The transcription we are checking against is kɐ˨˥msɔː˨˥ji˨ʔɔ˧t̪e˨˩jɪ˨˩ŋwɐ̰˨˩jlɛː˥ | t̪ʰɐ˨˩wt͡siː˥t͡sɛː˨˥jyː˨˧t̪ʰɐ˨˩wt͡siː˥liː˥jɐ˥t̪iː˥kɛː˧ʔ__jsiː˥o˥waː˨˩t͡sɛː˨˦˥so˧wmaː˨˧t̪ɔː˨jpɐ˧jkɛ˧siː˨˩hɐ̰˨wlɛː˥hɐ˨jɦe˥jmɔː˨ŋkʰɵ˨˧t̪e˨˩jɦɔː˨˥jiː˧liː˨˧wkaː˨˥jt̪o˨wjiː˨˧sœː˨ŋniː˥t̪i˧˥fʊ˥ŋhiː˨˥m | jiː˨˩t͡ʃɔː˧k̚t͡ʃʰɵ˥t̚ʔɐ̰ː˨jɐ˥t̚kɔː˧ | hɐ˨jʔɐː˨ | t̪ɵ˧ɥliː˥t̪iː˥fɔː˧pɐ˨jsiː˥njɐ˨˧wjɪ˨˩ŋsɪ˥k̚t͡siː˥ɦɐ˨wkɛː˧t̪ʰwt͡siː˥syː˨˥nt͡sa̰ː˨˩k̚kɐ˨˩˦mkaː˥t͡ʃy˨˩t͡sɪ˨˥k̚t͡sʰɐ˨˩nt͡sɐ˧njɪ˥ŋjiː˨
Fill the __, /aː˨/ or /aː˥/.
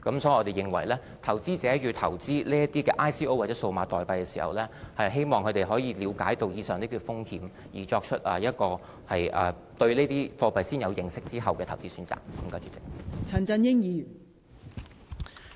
aː˥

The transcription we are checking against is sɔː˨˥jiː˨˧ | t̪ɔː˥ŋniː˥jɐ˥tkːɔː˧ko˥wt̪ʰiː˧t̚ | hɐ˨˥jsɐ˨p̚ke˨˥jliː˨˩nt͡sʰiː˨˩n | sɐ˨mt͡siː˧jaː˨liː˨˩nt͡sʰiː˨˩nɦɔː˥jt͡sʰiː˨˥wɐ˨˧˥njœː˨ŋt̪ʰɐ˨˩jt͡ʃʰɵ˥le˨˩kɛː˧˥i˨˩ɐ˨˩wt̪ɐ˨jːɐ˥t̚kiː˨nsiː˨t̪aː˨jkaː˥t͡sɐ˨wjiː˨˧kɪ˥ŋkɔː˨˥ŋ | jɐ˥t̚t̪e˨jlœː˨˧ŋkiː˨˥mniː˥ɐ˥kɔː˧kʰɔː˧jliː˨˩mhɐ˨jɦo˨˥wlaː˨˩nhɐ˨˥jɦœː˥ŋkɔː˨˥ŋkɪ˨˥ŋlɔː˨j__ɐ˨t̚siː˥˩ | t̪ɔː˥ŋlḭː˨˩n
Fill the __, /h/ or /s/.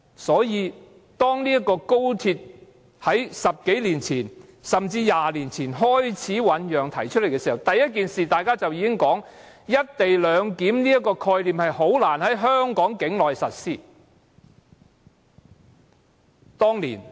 s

